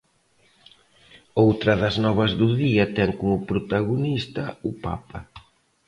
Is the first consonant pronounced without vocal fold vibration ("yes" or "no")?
no